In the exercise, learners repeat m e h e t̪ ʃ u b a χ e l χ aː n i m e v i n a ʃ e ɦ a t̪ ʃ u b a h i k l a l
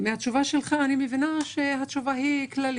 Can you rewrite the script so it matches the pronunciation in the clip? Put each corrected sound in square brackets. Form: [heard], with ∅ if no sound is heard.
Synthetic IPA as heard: m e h [a] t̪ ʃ u [v] a [ʃ] e l χ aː n i m e v i n a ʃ e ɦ a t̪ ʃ u [v] a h i k l a l